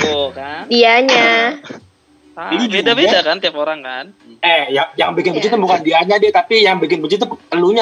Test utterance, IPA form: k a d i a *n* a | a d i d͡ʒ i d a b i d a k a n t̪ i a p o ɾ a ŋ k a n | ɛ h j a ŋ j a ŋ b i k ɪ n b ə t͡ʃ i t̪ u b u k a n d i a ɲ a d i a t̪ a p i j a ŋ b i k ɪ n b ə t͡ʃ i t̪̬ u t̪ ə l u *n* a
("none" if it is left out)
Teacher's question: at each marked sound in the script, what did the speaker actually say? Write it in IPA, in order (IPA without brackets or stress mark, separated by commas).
ɲ, ɲ